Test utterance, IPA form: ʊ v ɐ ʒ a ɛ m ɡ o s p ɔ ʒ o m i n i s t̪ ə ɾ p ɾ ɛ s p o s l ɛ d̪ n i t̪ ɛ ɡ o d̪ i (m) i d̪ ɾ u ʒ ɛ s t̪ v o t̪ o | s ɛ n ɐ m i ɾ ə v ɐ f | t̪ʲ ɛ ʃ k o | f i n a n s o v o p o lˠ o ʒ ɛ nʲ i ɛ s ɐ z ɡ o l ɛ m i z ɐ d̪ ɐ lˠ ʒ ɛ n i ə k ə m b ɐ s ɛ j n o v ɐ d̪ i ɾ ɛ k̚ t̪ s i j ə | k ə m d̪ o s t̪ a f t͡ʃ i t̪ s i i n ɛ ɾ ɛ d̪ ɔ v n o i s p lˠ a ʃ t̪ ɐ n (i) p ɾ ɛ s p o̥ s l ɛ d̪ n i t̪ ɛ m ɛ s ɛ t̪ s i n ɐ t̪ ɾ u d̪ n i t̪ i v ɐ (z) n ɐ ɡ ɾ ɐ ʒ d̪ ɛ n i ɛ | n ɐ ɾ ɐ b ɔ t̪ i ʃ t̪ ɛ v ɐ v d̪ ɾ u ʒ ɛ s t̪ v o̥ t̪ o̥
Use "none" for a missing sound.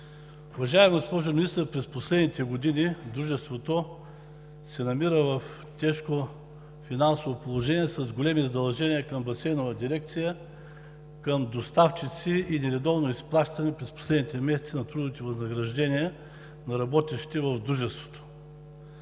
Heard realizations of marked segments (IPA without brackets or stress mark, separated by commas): n, ɛ, z